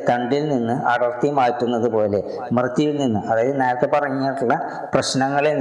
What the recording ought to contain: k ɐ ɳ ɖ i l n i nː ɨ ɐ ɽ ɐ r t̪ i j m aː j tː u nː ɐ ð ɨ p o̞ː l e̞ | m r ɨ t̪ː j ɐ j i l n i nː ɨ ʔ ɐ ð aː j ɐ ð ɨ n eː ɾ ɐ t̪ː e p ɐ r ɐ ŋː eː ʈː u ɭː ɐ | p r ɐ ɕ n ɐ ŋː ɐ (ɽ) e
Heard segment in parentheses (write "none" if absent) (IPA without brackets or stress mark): ɭ